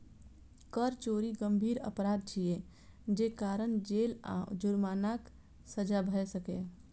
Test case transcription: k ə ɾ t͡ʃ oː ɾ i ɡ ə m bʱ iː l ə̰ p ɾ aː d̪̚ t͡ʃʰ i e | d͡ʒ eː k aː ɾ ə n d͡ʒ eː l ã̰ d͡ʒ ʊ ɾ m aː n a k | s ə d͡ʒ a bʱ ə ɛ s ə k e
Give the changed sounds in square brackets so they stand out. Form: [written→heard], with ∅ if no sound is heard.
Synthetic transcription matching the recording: k ə ɾ t͡ʃ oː ɾ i ɡ ə m bʱ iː [l→ɾ] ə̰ p ɾ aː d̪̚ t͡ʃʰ i e | d͡ʒ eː k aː ɾ ə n d͡ʒ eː l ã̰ d͡ʒ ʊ ɾ m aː n a k | s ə d͡ʒ a bʱ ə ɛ s ə k e